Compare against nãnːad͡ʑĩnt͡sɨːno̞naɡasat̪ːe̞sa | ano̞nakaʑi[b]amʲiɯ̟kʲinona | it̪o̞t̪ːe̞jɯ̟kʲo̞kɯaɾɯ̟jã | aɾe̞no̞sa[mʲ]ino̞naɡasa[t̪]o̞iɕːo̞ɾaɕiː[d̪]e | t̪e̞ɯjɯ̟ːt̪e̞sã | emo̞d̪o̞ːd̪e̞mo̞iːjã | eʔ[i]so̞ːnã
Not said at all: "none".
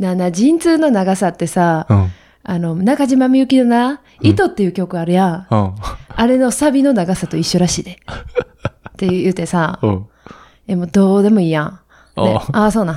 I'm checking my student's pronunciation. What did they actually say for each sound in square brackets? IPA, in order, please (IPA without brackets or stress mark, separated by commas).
m, bʲ, t̪, d̪, a